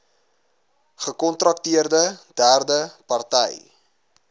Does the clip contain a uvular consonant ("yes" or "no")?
yes